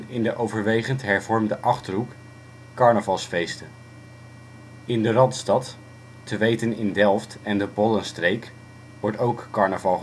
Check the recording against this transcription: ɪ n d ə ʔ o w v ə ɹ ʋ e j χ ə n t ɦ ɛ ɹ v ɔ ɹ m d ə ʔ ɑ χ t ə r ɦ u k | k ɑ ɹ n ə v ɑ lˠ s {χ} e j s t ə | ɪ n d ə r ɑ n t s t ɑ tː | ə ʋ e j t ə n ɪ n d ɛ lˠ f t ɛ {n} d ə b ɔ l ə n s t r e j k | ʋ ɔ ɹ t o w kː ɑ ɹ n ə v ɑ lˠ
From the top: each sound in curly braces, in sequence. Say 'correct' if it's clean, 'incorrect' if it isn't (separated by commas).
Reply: incorrect, correct